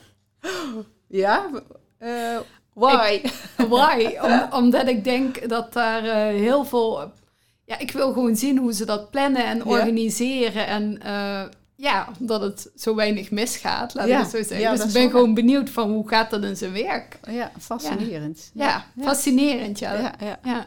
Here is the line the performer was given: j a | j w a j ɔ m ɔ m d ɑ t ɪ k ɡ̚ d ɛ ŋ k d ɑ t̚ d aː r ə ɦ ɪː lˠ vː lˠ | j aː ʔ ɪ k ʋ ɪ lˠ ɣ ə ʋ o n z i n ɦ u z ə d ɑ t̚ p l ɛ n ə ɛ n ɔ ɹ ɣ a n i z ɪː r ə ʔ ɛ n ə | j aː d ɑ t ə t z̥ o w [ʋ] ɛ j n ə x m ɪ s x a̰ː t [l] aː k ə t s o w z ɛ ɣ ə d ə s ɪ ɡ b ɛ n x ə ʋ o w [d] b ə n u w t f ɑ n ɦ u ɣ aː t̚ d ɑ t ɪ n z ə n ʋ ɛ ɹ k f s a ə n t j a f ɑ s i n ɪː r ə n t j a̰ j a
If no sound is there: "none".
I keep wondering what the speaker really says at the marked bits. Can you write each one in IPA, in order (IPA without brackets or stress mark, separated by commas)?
ʋ, l, n